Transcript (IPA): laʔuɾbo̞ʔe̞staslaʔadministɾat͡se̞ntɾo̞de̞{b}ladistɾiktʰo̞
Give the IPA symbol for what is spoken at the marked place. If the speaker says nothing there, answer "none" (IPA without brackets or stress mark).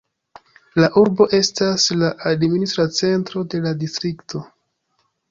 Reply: none